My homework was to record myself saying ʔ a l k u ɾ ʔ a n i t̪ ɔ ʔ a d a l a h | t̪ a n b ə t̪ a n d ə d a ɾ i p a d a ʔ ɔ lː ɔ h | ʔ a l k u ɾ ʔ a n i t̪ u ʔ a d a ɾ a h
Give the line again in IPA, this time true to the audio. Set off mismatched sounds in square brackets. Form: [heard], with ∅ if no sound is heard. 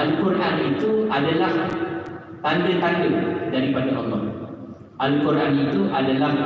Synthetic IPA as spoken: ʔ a l k u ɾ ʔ a n i t̪ [u] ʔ a d a l a h | t̪ a n [d] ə t̪ a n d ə d a ɾ i p a d a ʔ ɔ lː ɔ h | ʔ a l k u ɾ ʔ a n i t̪ u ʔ a d a [l] a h